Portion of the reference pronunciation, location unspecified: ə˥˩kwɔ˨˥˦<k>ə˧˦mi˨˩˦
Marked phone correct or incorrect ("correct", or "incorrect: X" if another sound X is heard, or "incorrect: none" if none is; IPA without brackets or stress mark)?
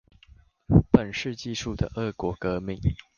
correct